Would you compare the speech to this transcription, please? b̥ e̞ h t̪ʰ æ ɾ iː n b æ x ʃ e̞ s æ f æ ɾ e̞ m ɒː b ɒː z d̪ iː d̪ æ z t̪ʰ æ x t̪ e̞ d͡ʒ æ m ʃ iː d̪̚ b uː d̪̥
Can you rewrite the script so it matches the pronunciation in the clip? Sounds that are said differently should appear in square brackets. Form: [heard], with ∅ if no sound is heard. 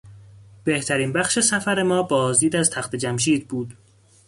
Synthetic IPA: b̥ e̞ h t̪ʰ æ ɾ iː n b æ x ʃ e̞ s æ f æ ɾ e̞ m ɒː b ɒː z d̪ iː d̪ æ z t̪ʰ æ x t̪ e̞ d͡ʒ æ m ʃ iː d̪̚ b uː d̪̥